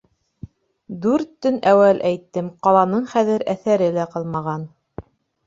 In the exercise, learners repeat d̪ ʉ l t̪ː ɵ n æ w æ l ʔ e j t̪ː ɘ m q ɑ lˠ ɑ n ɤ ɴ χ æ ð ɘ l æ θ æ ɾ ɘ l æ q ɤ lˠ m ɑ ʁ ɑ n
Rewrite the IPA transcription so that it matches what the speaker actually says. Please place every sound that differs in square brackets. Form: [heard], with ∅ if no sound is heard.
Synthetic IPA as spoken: d̪ ʉ [ɾ] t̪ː ɵ n æ w æ l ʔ [æ] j t̪ː ɘ m q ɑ lˠ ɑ n ɤ ɴ χ æ ð ɘ [ɾ] æ θ æ ɾ ɘ l æ q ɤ lˠ m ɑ ʁ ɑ n

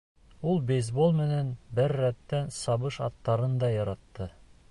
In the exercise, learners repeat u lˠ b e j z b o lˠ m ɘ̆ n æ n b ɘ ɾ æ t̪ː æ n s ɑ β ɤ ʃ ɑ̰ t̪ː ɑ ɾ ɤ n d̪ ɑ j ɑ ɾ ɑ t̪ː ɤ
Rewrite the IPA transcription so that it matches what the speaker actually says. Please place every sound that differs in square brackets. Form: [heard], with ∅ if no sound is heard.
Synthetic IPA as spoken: u lˠ b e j z b o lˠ m ɘ̆ n æ n b ɘ [ɾː] æ t̪ː æ n s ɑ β ɤ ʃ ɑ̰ t̪ː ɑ ɾ ɤ n d̪ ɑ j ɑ ɾ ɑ t̪ː ɤ

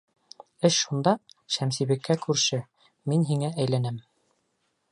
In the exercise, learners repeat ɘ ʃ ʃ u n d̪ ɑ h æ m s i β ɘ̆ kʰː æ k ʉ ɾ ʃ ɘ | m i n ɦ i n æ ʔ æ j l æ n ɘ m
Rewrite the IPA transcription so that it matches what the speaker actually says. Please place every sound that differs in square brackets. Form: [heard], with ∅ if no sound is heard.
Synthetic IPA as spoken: ɘ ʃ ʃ u n d̪ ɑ [ʃ] æ m s i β ɘ̆ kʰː æ k ʉ ɾ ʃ ɘ | m i n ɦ i [ŋ] æ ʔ æ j l æ n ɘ m

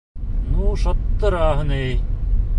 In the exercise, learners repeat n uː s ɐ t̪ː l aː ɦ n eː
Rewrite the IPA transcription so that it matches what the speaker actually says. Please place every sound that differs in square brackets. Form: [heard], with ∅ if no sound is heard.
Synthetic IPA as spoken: n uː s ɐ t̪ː [ɾ] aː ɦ n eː

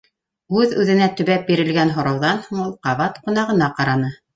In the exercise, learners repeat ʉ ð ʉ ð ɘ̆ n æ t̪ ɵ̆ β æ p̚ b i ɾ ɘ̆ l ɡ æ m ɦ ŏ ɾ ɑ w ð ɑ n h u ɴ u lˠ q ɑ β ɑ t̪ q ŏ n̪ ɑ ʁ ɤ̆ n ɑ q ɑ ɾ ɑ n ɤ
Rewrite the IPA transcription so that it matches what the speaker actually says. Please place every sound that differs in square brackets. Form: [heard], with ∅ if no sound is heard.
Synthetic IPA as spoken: ʉ ð ʉ ð ɘ̆ n æ t̪ ɵ̆ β æ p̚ b i ɾ ɘ̆ l ɡ æ [n] ɦ ŏ ɾ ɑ w ð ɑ n h u ɴ u lˠ q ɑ β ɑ t̪ q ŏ n̪ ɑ ʁ ɤ̆ n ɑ q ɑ ɾ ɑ n ɤ

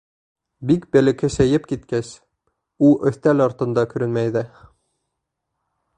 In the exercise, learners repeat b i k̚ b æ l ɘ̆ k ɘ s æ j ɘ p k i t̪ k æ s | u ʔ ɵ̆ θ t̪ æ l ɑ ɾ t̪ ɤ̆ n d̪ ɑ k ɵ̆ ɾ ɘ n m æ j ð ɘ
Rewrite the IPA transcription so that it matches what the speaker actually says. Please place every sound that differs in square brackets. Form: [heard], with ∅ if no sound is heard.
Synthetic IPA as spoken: b i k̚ b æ l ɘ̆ k ɘ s æ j ɘ p k i t̪ k æ s | u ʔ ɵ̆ θ t̪ æ l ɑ ɾ t̪ ɤ̆ n d̪ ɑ k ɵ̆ ɾ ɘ n m æ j ð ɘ

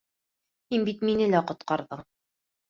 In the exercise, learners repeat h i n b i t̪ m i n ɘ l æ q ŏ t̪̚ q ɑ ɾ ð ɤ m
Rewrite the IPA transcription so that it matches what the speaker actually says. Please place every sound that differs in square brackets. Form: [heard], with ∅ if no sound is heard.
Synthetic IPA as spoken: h i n b i t̪ m i n ɘ l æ q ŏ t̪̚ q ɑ ɾ ð ɤ [ɴ]

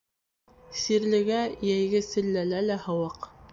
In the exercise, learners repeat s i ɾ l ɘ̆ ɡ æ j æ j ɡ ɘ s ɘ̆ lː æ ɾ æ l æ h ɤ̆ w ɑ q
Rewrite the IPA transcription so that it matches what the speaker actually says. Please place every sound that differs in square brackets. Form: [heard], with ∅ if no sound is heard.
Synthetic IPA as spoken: s i ɾ l ɘ̆ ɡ æ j æ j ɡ ɘ s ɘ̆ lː æ [l] æ l æ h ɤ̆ w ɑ q

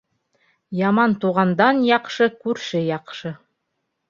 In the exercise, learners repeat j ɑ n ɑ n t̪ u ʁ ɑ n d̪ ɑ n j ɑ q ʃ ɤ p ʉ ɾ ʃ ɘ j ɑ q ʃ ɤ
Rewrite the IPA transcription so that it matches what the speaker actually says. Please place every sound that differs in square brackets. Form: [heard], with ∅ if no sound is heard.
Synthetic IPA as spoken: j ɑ [m] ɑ n t̪ u ʁ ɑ n d̪ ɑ n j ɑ q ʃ ɤ [k] ʉ ɾ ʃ ɘ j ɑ q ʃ ɤ

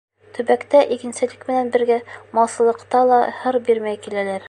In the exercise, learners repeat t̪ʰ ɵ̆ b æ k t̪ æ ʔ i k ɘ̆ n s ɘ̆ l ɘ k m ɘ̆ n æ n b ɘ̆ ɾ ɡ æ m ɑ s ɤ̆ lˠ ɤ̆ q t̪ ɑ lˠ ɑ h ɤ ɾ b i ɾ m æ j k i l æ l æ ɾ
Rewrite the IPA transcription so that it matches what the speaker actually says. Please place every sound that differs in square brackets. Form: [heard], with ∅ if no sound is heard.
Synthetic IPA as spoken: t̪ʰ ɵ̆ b æ k t̪ æ ʔ i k ɘ̆ n s ɘ̆ l ɘ k m ɘ̆ n æ n b ɘ̆ ɾ ɡ æ m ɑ s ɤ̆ lˠ ɤ̆ q t̪ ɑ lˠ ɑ h ɤ ɾ b i ɾ m æ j k i l æ l æ ɾ

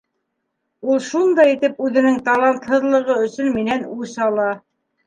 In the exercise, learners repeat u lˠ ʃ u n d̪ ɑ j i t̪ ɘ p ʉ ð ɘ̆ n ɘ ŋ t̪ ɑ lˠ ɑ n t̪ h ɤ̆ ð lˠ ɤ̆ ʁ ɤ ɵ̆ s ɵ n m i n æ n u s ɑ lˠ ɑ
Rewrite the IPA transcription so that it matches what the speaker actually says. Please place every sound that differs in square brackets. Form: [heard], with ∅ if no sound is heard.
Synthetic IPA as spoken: u lˠ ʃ u n d̪ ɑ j i t̪ ɘ p ʉ ð ɘ̆ n ɘ ŋ t̪ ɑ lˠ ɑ n t̪ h ɤ̆ ð lˠ ɤ̆ ʁ ɤ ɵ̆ s ɵ n m i n æ n u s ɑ lˠ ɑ

